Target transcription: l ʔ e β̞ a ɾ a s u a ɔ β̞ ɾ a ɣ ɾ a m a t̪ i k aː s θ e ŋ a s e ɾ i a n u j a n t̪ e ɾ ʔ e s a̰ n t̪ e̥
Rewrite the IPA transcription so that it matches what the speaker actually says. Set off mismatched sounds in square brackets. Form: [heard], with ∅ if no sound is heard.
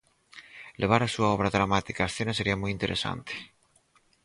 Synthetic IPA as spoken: l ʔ e β̞ a ɾ a s u a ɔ β̞ ɾ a [ð] ɾ a m a t̪ i k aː s θ e [n] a s e ɾ i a [m] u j [i] n t̪ e ɾ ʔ e s a̰ n t̪ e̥